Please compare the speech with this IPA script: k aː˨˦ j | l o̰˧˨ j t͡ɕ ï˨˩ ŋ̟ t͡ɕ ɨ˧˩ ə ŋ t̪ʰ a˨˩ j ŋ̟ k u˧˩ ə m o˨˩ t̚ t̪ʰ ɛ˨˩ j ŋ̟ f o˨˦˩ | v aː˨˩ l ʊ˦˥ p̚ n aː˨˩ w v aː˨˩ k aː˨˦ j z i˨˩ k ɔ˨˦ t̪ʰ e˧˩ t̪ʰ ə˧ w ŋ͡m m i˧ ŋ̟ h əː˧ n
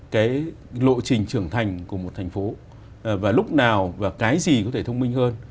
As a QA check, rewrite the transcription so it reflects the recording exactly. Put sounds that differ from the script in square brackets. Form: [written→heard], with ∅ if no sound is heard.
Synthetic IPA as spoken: k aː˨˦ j | l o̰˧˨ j t͡ɕ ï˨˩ ŋ̟ t͡ɕ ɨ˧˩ ə ŋ t̪ʰ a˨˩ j ŋ̟ k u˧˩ ə m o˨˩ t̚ t̪ʰ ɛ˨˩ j ŋ̟ f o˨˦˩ | v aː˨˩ l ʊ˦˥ [p̚→k͡p̚] n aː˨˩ w v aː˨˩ k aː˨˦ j z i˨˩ k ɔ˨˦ t̪ʰ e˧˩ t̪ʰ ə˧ w ŋ͡m m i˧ ŋ̟ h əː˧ n